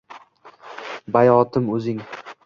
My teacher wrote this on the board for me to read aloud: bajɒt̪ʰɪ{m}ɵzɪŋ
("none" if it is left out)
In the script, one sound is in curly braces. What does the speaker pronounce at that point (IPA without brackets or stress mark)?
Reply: m